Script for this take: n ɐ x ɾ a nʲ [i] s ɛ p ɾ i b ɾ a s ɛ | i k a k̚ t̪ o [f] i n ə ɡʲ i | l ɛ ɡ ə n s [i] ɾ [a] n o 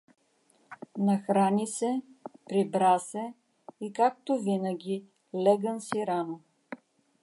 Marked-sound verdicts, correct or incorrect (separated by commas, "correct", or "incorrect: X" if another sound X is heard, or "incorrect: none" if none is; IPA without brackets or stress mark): correct, incorrect: v, correct, correct